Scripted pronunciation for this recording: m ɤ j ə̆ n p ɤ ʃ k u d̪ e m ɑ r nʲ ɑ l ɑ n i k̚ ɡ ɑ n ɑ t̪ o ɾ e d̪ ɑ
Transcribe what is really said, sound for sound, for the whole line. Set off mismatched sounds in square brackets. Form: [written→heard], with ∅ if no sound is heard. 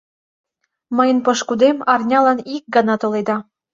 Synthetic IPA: m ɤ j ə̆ n p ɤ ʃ k u d̪ e m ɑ r nʲ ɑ l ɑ n i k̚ ɡ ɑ n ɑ t̪ o [ɾ→l] e d̪ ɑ